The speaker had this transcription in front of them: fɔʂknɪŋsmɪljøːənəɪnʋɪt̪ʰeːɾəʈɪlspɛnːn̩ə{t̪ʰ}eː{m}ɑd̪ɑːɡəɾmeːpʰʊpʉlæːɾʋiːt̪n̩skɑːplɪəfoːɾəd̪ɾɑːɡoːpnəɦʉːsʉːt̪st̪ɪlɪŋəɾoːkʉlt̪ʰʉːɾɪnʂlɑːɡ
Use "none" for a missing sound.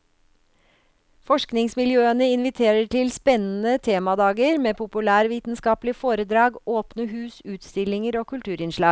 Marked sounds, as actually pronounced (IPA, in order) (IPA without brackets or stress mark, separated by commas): t̪ʰ, m